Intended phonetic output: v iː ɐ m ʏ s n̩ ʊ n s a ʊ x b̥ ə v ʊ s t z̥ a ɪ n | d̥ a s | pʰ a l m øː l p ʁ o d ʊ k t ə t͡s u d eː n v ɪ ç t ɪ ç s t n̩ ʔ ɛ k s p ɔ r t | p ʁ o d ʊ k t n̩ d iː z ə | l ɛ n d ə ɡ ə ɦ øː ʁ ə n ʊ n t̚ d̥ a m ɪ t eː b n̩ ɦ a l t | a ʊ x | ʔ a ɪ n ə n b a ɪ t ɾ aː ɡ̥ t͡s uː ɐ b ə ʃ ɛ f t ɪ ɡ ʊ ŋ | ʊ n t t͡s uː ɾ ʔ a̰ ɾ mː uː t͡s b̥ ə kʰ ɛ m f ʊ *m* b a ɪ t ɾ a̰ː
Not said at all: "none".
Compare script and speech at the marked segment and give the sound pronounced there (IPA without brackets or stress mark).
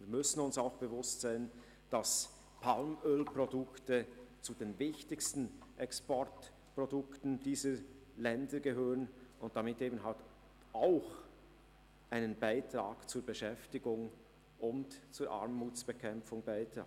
ŋ